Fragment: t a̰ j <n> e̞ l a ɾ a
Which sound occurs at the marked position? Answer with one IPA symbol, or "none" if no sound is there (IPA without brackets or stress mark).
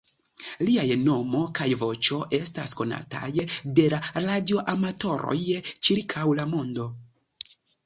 d